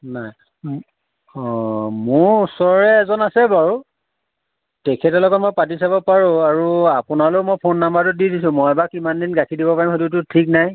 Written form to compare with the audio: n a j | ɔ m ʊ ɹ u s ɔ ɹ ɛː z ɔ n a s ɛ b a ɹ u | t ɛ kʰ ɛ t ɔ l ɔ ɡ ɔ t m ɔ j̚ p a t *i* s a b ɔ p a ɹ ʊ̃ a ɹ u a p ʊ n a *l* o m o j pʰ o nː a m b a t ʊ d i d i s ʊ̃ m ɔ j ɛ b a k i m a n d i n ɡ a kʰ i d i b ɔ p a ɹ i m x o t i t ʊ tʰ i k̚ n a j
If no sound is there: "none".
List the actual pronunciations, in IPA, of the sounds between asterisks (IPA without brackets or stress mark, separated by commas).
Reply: i, l